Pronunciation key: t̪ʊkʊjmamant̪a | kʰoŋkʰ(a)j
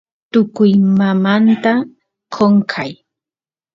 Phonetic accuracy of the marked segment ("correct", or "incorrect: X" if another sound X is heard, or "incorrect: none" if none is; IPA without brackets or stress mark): correct